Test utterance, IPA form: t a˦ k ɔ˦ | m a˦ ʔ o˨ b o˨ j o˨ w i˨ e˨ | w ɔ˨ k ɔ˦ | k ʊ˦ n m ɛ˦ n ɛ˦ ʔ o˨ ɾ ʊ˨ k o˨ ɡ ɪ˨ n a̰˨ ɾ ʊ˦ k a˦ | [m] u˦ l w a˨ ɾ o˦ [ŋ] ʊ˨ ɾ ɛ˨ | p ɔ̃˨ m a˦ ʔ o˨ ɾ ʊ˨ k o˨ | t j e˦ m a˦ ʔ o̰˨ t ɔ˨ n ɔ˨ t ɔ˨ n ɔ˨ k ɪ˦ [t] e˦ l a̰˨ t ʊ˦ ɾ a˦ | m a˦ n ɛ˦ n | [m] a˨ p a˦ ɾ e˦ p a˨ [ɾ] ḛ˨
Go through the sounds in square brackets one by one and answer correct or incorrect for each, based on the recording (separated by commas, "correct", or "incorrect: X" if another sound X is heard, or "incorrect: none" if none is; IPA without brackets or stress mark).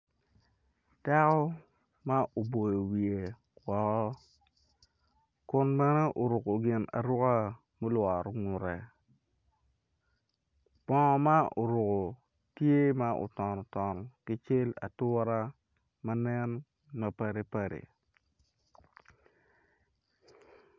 correct, correct, incorrect: t͡ʃ, correct, correct